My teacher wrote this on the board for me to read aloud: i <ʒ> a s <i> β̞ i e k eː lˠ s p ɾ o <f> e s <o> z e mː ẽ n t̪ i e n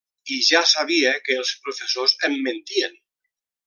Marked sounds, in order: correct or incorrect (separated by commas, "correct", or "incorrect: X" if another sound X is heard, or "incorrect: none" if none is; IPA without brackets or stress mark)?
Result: correct, incorrect: a, correct, correct